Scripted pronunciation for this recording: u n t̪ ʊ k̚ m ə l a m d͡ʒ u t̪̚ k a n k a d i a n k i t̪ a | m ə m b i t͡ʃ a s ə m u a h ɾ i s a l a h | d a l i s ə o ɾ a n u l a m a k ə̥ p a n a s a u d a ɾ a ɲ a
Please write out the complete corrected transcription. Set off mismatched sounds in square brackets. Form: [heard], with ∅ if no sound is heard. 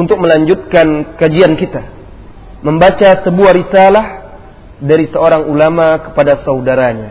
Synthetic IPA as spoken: u n t̪ ʊ k̚ m ə l a [ɲ] d͡ʒ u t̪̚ k a n k a [d͡ʒ] i a n k i t̪ a | m ə m b [a] t͡ʃ a s ə [b] u a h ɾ i s a l a h | d a [ɾ] i s ə o ɾ a [ŋ] u l a m a k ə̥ p a [d] a s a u d a ɾ a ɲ a